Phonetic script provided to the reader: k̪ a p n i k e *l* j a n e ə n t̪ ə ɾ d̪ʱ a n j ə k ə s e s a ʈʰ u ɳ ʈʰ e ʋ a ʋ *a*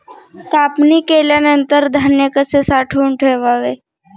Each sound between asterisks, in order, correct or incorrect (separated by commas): correct, incorrect